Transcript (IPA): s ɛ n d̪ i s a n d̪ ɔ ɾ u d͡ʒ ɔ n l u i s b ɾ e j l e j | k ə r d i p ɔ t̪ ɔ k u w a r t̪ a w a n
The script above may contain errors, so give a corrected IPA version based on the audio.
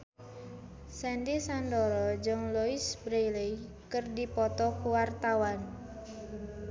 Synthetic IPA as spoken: s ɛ n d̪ i s a n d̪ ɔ ɾ ɔ d͡ʒ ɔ ŋ l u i s b ɾ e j l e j | k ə r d i p ɔ t̪ ɔ k u w a r t̪ a w a n